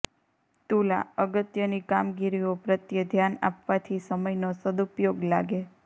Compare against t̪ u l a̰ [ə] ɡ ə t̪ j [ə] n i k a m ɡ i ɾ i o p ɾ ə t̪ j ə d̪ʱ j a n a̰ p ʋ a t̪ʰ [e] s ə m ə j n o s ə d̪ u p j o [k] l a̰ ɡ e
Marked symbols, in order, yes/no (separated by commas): yes, yes, no, no